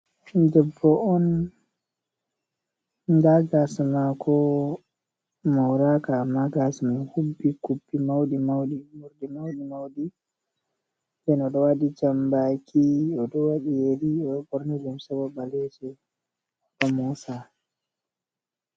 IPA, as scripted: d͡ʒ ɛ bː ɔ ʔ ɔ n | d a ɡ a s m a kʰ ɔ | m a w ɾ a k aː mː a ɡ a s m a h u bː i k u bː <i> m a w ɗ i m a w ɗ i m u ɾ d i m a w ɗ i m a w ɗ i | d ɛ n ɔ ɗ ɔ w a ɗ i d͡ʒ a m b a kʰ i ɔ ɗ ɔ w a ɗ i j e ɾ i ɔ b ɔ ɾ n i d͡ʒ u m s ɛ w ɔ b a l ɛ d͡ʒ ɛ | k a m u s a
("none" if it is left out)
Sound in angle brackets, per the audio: i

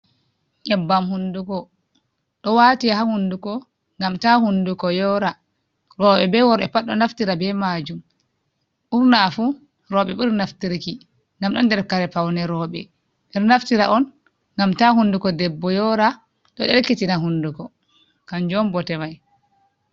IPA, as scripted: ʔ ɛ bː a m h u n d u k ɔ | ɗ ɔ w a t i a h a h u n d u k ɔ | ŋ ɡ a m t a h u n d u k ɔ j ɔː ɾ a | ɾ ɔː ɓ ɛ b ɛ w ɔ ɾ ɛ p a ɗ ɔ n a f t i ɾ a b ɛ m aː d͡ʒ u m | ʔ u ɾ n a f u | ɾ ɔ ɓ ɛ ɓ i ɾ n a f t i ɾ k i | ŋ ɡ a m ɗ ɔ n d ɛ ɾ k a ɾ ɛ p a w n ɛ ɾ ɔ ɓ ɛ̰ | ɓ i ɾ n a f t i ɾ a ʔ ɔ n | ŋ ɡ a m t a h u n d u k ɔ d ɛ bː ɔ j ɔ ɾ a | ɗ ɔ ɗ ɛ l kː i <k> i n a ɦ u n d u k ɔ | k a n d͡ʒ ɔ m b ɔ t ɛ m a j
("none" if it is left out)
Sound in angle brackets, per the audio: t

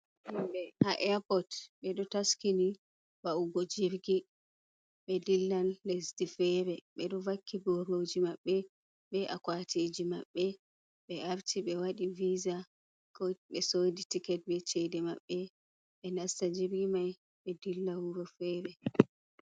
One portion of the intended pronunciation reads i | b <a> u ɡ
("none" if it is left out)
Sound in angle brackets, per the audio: a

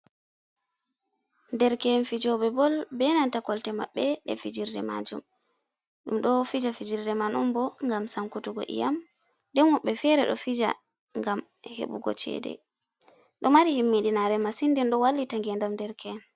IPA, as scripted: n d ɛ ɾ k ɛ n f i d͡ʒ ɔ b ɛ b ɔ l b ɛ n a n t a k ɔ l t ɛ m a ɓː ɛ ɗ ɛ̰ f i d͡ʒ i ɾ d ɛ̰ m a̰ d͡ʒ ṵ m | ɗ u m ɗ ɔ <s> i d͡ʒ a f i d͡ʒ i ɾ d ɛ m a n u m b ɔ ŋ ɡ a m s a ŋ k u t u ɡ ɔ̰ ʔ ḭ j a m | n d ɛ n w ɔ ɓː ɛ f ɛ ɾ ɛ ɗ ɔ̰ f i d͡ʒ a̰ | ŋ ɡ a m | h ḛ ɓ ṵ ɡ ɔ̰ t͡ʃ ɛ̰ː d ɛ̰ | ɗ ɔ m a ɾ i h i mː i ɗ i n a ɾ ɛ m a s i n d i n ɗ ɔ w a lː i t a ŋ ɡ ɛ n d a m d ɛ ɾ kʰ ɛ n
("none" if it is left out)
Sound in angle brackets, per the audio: f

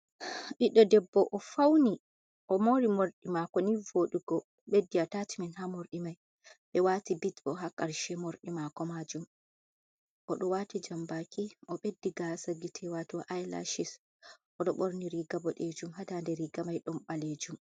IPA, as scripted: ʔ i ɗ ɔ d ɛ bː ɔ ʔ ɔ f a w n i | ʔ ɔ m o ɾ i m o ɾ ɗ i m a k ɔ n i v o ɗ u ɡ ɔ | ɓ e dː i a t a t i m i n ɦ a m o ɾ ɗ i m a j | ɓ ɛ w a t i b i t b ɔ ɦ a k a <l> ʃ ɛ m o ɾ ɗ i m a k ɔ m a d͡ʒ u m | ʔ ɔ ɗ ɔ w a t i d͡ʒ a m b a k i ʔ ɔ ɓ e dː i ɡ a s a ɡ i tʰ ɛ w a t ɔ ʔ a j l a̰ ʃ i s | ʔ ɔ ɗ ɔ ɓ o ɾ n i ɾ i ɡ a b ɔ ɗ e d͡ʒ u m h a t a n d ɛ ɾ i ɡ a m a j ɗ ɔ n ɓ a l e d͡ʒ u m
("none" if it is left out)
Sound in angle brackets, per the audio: ɾ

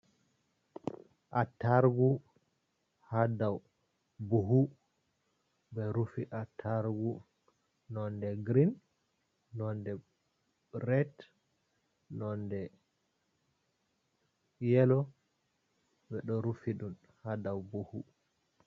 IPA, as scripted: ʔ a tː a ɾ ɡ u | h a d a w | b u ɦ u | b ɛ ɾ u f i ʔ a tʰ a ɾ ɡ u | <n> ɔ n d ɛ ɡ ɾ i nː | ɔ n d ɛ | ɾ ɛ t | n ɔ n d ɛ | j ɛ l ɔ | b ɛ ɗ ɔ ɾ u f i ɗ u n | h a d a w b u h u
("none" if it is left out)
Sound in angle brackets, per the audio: n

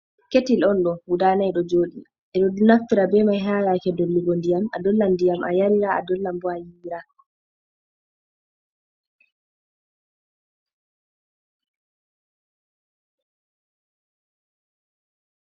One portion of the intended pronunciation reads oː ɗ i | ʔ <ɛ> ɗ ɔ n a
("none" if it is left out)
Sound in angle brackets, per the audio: ɛ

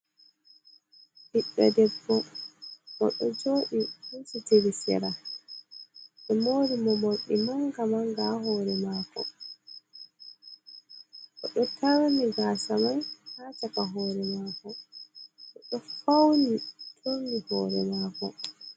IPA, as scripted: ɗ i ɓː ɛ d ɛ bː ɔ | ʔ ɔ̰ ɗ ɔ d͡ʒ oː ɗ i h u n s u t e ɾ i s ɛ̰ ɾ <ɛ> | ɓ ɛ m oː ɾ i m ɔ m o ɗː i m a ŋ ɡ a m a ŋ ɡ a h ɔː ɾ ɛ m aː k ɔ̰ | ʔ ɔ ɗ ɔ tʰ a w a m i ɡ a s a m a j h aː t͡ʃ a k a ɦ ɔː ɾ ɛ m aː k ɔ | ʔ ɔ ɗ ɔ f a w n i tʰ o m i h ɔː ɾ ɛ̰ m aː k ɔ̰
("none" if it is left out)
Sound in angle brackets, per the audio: a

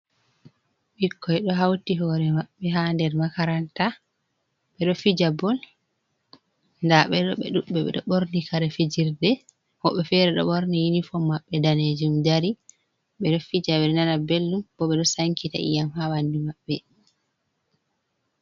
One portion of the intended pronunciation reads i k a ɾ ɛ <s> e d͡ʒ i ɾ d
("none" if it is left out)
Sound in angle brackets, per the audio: f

